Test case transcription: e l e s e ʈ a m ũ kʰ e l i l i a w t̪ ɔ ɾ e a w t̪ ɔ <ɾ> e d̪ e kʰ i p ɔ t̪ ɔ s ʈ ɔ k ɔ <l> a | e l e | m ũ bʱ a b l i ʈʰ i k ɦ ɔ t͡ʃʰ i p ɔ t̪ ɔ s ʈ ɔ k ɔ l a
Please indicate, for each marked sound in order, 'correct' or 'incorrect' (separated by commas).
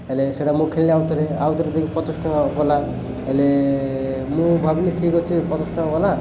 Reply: correct, correct